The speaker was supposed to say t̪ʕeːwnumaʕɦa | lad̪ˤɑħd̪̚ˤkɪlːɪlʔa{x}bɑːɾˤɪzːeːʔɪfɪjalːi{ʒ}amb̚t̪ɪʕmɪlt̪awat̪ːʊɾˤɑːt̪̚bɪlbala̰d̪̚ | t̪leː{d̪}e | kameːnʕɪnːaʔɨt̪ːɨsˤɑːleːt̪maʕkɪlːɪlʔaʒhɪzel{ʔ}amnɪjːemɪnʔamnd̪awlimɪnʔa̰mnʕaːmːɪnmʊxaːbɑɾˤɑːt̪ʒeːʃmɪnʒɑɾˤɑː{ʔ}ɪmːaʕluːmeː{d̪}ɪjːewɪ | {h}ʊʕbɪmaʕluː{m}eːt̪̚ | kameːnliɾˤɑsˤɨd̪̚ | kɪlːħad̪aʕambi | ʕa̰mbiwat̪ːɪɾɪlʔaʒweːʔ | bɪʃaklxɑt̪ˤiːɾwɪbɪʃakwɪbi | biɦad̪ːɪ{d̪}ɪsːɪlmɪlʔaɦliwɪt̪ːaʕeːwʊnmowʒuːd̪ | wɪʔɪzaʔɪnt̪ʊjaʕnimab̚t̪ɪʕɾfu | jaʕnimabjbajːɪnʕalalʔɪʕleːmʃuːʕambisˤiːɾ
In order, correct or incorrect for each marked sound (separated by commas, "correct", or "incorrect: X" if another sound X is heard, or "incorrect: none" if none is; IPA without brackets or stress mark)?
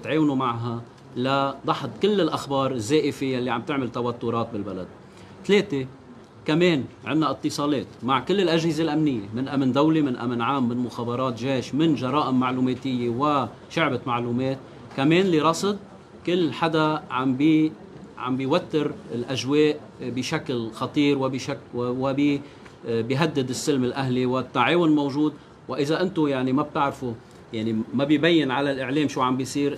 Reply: correct, incorrect: ʕ, incorrect: t̪, correct, correct, incorrect: t̪, incorrect: ʃ, correct, correct